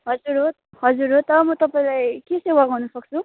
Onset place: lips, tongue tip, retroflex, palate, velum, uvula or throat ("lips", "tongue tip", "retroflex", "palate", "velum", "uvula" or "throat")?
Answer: throat